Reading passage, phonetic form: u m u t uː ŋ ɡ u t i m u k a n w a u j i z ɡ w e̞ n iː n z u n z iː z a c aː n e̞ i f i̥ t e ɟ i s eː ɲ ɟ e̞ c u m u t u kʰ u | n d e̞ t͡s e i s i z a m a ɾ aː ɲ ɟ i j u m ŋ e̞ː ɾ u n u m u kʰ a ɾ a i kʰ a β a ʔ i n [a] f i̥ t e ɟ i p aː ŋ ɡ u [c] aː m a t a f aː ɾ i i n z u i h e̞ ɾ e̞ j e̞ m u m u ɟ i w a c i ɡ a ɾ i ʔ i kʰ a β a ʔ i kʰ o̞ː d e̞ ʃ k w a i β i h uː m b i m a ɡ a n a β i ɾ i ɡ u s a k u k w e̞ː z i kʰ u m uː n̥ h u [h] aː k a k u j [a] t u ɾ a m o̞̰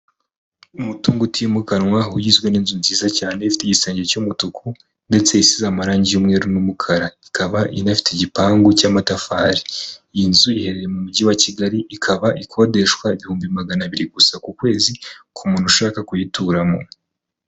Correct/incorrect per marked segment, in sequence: correct, correct, incorrect, incorrect

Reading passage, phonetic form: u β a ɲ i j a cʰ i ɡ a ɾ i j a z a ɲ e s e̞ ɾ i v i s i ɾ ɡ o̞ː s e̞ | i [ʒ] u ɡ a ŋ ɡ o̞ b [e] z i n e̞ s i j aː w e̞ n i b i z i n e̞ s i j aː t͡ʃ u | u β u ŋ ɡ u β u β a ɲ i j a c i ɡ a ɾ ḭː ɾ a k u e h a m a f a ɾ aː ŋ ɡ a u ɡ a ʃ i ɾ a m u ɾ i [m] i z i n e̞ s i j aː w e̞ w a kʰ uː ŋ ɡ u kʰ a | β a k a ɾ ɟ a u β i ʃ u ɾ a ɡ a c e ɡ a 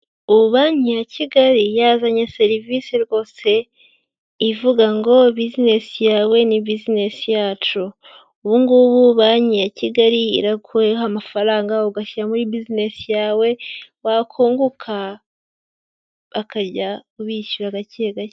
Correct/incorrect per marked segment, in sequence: incorrect, incorrect, incorrect

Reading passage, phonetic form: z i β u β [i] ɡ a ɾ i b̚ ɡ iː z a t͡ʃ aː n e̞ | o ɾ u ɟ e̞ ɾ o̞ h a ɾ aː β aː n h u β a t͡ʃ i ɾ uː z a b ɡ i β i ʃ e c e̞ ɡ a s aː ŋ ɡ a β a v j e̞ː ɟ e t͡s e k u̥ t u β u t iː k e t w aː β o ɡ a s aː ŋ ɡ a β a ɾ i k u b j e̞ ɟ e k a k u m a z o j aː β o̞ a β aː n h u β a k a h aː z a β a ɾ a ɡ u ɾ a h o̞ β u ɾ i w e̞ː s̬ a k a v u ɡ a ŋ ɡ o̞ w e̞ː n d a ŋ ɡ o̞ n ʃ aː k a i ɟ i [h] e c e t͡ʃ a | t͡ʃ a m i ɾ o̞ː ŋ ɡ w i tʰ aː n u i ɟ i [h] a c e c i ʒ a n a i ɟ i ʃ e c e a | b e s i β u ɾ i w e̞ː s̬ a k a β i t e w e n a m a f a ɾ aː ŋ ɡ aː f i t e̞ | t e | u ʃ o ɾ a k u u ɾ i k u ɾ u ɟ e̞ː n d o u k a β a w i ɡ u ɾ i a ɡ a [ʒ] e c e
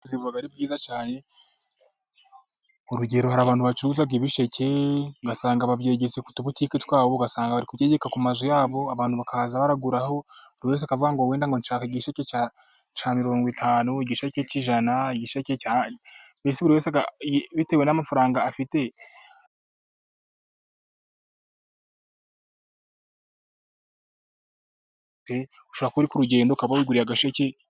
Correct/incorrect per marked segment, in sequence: incorrect, incorrect, incorrect, incorrect

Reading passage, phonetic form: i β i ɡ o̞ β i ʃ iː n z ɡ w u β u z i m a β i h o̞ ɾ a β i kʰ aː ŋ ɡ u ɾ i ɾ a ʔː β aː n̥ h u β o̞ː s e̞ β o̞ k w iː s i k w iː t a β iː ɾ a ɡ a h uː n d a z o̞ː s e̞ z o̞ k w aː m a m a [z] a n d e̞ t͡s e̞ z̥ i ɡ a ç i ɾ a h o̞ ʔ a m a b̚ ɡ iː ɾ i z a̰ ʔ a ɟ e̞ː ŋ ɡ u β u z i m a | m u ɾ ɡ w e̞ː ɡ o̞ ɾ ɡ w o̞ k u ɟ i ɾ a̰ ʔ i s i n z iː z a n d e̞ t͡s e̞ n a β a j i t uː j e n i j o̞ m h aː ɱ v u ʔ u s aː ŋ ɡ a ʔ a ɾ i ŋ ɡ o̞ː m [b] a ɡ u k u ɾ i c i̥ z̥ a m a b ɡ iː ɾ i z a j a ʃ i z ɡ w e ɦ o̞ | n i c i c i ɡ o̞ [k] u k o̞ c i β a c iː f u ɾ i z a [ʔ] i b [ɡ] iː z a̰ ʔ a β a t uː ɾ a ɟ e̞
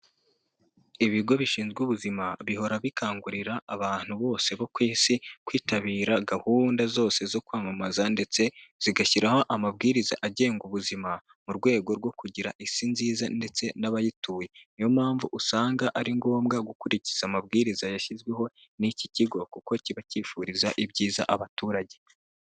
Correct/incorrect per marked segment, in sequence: correct, incorrect, correct, correct, incorrect

